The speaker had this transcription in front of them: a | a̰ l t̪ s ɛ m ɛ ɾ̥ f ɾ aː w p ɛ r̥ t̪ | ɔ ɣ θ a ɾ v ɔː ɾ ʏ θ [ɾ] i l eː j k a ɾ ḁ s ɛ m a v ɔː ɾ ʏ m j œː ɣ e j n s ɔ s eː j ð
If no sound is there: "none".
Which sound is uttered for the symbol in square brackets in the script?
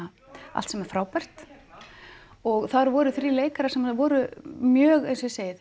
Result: ɾ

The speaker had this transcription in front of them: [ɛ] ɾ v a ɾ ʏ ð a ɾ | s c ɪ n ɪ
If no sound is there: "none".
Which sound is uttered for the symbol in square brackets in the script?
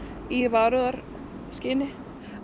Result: i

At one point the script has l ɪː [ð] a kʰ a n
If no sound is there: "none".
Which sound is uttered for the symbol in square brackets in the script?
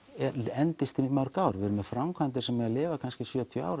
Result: v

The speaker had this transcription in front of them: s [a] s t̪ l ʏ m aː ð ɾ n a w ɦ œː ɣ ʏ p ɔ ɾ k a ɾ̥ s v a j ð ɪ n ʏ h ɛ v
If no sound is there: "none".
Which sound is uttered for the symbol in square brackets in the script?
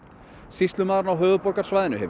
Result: i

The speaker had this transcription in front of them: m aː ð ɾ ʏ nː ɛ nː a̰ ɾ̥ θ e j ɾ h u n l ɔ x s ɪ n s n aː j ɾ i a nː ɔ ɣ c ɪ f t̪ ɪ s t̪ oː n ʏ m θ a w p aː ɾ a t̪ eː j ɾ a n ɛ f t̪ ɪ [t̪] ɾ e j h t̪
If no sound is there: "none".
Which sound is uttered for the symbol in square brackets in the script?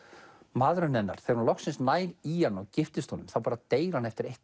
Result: none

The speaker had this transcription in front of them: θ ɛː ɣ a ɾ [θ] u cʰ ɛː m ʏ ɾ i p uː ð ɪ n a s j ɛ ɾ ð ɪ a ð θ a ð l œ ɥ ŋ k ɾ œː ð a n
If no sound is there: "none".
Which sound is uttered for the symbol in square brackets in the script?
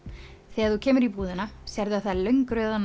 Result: θ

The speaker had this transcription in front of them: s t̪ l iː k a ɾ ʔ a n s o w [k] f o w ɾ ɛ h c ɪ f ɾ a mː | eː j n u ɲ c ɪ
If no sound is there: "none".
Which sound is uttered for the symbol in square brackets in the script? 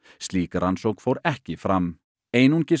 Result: k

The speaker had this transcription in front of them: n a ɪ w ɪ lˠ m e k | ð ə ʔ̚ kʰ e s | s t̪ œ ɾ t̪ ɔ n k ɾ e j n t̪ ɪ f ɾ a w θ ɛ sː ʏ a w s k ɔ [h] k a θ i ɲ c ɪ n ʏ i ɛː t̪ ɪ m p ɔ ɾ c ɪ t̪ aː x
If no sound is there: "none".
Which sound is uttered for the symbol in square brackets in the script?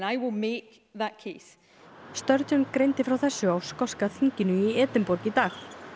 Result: s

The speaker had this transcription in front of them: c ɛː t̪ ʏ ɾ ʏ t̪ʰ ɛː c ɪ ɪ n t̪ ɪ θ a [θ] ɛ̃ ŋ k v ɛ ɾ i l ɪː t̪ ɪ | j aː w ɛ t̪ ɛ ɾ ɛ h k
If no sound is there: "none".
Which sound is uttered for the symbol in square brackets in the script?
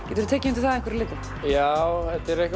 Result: ð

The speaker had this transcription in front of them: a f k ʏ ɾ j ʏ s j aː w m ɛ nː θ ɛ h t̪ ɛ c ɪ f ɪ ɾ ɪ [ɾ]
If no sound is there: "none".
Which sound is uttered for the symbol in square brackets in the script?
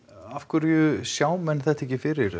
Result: ɾ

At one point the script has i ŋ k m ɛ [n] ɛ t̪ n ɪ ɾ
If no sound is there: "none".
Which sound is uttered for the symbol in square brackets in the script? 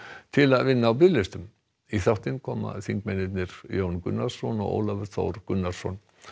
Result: n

